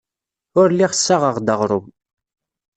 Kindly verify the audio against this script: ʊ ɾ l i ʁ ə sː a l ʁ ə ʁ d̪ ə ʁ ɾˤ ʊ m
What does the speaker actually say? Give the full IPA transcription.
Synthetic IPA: ʊ ɾ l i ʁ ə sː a ʁ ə ʁ d̪ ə ʁ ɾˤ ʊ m